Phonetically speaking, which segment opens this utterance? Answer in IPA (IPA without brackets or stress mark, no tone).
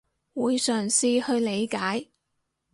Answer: w